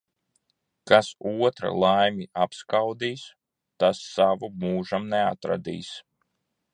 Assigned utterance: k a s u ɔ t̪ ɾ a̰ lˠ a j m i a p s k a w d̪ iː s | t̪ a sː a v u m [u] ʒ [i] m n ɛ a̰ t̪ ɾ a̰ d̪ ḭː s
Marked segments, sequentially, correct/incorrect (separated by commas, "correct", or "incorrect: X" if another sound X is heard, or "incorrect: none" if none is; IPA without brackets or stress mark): incorrect: uː, incorrect: a